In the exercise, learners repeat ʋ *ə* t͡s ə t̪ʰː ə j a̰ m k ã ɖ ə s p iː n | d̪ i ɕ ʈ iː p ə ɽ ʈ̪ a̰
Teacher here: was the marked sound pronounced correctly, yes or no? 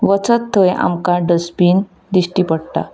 yes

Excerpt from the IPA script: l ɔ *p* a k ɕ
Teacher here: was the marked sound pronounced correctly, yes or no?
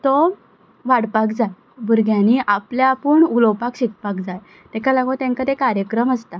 yes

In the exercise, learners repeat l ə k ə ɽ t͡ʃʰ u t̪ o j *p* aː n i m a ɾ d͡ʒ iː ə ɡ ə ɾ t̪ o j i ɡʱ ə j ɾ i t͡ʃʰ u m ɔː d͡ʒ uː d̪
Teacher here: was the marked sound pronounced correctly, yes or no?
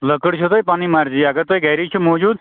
yes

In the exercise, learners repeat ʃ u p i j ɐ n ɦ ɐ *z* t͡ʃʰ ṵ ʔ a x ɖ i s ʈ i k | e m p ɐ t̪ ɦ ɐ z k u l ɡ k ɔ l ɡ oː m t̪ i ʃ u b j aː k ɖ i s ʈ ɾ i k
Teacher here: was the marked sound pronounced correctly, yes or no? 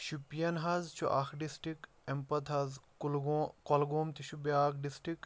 yes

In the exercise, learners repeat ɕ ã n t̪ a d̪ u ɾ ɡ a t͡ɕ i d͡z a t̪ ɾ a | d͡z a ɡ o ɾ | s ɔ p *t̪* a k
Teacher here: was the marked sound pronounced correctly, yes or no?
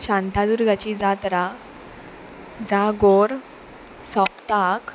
yes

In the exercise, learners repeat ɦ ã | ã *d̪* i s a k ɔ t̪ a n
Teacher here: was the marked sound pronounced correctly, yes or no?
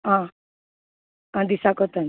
yes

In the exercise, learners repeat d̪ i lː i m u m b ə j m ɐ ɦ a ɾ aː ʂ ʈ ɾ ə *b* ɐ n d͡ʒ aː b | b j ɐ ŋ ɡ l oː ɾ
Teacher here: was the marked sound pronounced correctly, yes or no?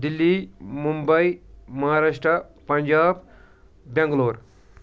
no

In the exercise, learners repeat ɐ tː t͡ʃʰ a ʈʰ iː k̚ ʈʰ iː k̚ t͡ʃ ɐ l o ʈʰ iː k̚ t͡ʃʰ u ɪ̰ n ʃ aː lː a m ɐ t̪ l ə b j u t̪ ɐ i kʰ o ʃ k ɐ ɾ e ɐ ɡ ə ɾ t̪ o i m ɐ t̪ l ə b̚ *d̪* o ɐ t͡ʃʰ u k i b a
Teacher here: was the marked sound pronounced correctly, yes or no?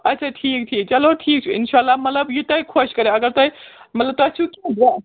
no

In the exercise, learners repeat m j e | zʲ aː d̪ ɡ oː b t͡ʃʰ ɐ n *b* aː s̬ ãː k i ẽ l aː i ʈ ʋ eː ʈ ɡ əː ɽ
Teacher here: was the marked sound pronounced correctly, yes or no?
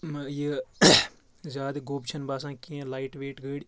yes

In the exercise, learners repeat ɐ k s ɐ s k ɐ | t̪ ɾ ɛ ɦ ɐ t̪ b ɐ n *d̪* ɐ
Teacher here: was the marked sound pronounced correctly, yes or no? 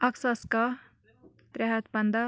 yes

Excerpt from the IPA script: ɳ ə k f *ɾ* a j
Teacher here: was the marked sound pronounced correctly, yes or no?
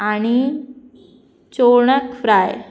yes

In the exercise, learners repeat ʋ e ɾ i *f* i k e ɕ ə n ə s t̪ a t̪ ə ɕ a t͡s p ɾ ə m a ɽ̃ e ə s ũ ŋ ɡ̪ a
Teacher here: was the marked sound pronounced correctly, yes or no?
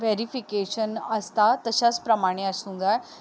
yes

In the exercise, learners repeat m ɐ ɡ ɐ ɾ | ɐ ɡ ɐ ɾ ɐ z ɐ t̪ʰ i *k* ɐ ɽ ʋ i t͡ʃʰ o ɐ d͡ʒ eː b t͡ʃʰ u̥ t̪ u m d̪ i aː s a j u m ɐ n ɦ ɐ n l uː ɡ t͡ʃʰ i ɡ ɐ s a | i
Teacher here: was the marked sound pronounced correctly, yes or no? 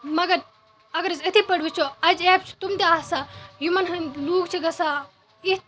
no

